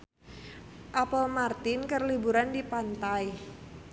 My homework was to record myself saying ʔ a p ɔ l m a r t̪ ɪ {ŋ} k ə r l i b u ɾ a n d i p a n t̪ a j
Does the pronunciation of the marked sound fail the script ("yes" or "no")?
yes